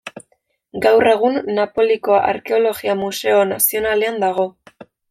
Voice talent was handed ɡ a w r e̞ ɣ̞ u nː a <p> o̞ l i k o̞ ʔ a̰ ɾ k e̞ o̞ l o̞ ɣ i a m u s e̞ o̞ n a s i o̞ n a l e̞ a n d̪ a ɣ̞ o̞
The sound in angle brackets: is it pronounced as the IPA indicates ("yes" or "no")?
yes